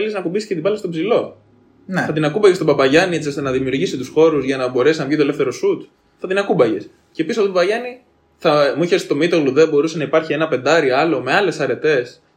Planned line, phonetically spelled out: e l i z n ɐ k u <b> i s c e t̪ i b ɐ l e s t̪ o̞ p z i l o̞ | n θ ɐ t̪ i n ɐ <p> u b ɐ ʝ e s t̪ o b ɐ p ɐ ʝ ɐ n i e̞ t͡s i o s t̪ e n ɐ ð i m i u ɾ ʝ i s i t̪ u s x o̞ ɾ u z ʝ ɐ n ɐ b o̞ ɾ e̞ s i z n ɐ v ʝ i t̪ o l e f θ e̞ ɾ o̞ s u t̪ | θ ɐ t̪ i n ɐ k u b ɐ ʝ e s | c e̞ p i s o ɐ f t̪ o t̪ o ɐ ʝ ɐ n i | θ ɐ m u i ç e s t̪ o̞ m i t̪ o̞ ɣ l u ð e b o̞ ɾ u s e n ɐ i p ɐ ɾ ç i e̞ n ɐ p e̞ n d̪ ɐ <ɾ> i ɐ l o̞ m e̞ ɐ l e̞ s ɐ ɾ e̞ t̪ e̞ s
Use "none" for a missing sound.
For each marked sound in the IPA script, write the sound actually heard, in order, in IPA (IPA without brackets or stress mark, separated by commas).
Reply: b, k, ɾ